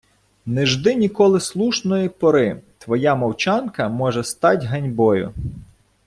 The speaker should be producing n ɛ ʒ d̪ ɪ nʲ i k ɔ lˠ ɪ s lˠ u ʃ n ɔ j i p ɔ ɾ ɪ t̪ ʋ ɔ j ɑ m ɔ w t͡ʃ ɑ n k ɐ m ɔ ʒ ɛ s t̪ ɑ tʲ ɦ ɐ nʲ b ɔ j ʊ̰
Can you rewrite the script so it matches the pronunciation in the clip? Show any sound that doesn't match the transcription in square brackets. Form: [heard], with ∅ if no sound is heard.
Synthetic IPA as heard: n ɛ ʒ d̪ ɪ nʲ i k ɔ lˠ ɪ s lˠ u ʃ n ɔ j i p ɔ ɾ ɪ t̪ ʋ ɔ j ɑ m ɔ w t͡ʃ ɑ n k ɐ m ɔ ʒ ɛ s t̪ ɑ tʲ ɦ ɐ nʲ b ɔ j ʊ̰